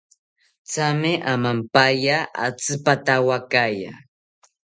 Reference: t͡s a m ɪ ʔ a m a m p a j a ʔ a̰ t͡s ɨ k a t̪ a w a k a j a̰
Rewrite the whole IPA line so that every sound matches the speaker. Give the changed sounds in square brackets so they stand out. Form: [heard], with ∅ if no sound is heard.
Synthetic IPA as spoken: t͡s a m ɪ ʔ a m a m p a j a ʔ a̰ t͡s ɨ [p] a t̪ a w a k a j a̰